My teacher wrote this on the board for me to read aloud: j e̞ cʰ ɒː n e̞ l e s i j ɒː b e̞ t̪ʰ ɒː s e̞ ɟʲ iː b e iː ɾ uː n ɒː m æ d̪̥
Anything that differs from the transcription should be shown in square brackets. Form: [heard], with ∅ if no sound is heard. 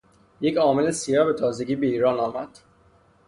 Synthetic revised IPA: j e̞ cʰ ɒː [m] e̞ l e s i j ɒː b e̞ t̪ʰ ɒː [z] e̞ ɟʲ iː b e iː ɾ [ɒː] n ɒː m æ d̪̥